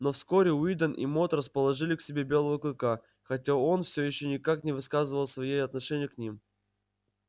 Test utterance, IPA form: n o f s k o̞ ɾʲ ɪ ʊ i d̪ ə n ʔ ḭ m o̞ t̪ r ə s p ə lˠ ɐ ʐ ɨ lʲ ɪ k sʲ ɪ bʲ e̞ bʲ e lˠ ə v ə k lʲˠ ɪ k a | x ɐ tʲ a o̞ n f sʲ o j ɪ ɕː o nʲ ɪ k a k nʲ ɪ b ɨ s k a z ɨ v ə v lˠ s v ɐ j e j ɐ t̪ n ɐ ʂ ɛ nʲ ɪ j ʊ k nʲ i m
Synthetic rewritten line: n o f s k o̞ ɾʲ ɪ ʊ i d̪ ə n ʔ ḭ m o̞ t̪ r ə s p ə lˠ ɐ ʐ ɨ lʲ ɪ k sʲ ɪ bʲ e̞ bʲ e lˠ ə v ə k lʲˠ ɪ k a | x ɐ tʲ a o̞ n f sʲ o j ɪ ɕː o nʲ ɪ k a k nʲ ɪ v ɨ s k a z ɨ v ə lˠ s v ɐ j e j ɐ t̪ n ɐ ʂ ɛ nʲ ɪ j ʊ k nʲ i m